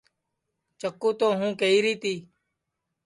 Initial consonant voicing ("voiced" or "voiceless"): voiceless